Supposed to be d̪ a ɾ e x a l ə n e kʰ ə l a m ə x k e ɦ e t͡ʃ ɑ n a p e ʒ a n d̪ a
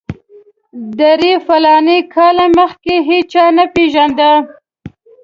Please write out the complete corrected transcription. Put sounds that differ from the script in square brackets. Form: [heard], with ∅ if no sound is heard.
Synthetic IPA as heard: d̪ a ɾ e [f] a l [ɑ] n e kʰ [ɑ] l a m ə x k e ɦ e t͡ʃ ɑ n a p e ʒ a n d̪ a